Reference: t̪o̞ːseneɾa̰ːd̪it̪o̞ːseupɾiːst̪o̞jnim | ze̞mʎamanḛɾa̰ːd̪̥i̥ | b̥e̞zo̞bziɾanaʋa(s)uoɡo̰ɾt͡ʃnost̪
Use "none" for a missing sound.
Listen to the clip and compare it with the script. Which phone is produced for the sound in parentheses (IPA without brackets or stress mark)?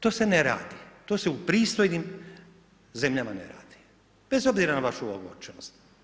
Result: ʃ